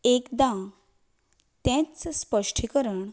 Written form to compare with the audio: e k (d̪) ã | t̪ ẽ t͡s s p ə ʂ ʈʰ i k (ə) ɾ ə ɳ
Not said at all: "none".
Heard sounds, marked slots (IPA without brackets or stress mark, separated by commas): d̪, ə